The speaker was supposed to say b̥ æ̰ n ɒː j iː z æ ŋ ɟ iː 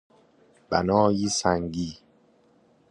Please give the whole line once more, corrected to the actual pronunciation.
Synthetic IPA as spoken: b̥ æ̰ n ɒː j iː s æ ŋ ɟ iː